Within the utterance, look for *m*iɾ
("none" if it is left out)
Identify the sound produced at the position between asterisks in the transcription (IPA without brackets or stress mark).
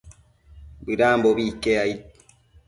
b